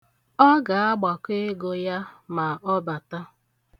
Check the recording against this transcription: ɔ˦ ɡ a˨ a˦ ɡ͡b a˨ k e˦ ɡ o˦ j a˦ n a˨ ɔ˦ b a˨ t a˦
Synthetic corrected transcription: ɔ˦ ɡ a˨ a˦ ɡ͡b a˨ k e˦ ɡ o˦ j a˦ m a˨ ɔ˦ b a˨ t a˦